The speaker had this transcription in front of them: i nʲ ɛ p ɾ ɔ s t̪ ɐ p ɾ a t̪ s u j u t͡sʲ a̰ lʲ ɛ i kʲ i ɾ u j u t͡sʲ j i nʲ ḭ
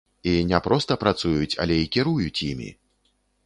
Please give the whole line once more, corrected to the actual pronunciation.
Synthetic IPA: i nʲ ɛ p ɾ ɔ s t̪ ɐ p ɾ a t̪ s u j u t͡sʲ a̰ lʲ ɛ i kʲ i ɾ u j u t͡sʲ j i mʲ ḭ